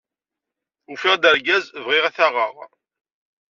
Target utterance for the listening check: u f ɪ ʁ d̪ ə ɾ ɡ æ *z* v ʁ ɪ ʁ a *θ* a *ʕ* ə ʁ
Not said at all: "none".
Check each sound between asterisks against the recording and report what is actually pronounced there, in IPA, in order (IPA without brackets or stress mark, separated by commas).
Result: z, θ, ʁ